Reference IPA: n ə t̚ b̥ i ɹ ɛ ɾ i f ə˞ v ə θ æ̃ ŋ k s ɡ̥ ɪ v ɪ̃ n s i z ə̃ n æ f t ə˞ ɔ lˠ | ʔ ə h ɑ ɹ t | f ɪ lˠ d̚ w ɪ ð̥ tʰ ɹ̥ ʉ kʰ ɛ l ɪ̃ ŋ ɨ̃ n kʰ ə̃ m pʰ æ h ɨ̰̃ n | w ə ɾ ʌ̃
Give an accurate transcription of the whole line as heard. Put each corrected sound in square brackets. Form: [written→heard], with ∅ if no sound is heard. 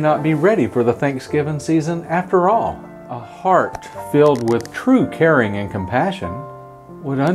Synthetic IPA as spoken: n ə t̚ b̥ i ɹ ɛ ɾ i f ə˞ [v→ð] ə θ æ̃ ŋ k s ɡ̥ ɪ v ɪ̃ n s i z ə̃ n æ f t ə˞ ɔ lˠ | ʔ ə h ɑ ɹ t | f ɪ lˠ d̚ w ɪ ð̥ tʰ ɹ̥ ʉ kʰ ɛ [l→ɹ] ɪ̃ ŋ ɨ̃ n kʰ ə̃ m pʰ æ [h→ʃ] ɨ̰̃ n | w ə ɾ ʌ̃

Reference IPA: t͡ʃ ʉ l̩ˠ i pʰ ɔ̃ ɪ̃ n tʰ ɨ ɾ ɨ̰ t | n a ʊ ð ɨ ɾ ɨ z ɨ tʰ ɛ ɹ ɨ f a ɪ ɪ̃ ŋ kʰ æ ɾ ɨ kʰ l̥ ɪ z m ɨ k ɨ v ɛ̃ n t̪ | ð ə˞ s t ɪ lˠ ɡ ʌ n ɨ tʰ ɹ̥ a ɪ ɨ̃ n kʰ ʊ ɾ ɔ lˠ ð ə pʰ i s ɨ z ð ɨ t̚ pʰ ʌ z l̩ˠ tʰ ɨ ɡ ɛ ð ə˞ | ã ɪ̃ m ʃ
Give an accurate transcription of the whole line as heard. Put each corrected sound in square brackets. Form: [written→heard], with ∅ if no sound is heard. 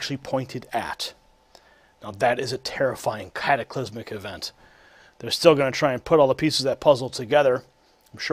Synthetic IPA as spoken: t͡ʃ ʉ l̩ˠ i pʰ ɔ̃ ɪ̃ n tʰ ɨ ɾ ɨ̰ t | n a ʊ ð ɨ ɾ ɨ z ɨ tʰ ɛ ɹ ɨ f a ɪ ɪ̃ ŋ kʰ æ ɾ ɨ kʰ l̥ ɪ z m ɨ k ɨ v ɛ̃ n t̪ | ð ə˞ s t ɪ lˠ ɡ ʌ n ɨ tʰ ɹ̥ a ɪ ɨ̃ n [kʰ→pʰ] ʊ ɾ ɔ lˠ ð ə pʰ i s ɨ z ð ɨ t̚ pʰ ʌ z l̩ˠ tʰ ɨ ɡ ɛ ð ə˞ | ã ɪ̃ m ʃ

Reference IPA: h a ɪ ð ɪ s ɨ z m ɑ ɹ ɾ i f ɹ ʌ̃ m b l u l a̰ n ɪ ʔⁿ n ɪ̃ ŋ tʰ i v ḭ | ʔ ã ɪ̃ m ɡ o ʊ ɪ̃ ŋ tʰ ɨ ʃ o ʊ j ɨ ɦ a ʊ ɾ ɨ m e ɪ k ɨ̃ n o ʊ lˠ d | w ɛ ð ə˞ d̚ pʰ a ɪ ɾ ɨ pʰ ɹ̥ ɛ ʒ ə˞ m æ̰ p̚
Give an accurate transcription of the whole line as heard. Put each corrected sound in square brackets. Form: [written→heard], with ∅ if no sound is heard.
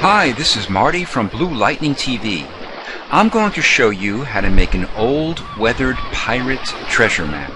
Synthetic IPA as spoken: h a ɪ ð ɪ s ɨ z m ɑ ɹ ɾ i f ɹ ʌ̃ m b l u l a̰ [n→∅] ɪ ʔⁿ n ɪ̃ ŋ tʰ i v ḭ | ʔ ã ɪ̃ m ɡ o ʊ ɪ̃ ŋ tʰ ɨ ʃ o ʊ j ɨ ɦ a ʊ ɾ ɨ m e ɪ k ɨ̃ n o ʊ lˠ d | w ɛ ð ə˞ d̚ pʰ a ɪ [ɾ→ɹ] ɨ [pʰ→tʰ] ɹ̥ ɛ ʒ ə˞ m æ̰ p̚

